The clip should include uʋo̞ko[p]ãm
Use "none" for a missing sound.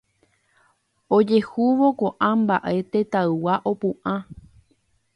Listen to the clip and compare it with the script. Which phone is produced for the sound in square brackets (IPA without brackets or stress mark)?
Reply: ʔ